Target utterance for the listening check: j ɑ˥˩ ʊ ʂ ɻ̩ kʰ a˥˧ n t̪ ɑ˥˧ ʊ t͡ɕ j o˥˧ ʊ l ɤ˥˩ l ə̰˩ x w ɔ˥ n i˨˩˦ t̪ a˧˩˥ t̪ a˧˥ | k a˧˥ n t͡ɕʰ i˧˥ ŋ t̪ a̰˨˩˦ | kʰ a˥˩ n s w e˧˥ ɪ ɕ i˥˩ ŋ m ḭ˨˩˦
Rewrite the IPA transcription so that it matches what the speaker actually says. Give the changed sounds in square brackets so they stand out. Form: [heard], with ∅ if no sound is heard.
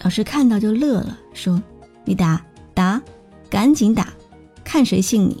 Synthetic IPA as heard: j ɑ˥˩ ʊ ʂ ɻ̩ kʰ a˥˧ n t̪ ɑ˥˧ ʊ t͡ɕ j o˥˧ ʊ l ɤ˥˩ l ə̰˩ [ʂ] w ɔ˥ n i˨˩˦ t̪ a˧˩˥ t̪ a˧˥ | k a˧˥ n [t͡ɕ] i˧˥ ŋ t̪ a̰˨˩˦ | kʰ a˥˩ n [ʂ] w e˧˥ ɪ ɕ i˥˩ ŋ [n] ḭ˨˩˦